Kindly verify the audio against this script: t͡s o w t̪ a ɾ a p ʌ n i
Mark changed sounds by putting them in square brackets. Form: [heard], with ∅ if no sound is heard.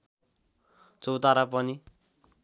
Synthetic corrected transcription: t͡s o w t̪ a ɾ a p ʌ n i